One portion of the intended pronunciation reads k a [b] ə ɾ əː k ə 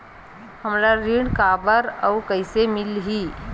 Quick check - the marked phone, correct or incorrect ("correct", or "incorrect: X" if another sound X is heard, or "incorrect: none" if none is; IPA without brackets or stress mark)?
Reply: correct